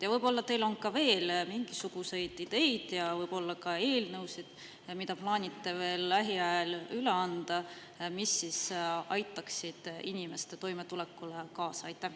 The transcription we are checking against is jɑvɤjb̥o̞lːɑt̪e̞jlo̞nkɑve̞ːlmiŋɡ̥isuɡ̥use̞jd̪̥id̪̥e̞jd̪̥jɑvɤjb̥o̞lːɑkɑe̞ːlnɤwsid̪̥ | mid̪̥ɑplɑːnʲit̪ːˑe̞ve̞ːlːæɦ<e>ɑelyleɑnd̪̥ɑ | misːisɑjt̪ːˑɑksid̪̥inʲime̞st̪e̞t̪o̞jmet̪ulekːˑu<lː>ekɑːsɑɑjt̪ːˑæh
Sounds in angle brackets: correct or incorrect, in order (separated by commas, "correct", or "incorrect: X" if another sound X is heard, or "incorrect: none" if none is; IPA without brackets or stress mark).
incorrect: i, incorrect: l